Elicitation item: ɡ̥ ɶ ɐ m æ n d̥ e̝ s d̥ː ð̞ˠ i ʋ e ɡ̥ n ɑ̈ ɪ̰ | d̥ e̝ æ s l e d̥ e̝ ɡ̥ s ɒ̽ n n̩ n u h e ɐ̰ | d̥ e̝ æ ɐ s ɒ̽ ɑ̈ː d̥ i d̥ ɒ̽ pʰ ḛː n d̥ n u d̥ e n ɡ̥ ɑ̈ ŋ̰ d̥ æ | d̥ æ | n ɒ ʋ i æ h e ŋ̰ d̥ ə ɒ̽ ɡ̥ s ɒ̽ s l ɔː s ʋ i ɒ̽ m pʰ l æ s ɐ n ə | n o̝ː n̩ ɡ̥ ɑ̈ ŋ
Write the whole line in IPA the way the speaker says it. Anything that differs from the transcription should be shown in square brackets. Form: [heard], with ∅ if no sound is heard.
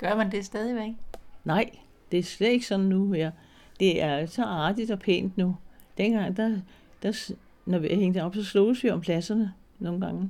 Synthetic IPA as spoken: ɡ̥ ɶ ɐ m æ n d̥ e̝ s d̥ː ð̞ˠ i ʋ e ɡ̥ n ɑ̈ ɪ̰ | d̥ e̝ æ s l e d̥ e̝ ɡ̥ s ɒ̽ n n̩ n u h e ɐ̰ | d̥ e̝ æ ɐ s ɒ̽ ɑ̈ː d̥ i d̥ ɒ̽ pʰ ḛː n d̥ n u d̥ e n ɡ̥ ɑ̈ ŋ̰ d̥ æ | d̥ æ | n ɒ ʋ i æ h e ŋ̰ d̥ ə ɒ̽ [b̥] s ɒ̽ s l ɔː s ʋ i ɒ̽ m pʰ l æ s ɐ n ə | n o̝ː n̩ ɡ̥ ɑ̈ ŋ